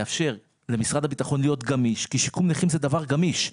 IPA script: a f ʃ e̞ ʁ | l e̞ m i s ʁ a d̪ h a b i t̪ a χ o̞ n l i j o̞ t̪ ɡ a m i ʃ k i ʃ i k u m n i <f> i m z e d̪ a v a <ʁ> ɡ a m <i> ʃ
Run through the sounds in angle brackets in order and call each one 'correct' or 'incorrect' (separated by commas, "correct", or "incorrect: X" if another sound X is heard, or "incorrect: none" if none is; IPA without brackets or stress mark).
incorrect: χ, correct, correct